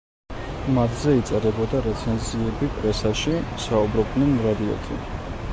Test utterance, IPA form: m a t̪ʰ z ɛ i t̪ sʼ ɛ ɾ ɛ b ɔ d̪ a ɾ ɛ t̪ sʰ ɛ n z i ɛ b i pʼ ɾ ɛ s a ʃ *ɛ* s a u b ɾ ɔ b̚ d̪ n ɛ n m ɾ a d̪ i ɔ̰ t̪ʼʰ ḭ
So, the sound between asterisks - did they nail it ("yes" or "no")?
no